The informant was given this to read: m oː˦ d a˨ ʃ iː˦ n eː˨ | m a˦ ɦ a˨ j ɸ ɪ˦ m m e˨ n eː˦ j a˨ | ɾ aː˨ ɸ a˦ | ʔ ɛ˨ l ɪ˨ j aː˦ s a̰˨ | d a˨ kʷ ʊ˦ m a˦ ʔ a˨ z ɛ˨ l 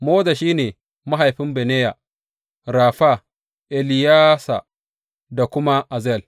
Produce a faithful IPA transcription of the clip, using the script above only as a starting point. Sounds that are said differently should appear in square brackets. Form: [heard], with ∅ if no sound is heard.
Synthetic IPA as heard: m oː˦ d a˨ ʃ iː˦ n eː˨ | m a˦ ɦ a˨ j ɸ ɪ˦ m [b] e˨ n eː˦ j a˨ | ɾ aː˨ ɸ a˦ | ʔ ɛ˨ l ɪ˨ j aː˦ s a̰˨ | d a˨ kʷ ʊ˦ m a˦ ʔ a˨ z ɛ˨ l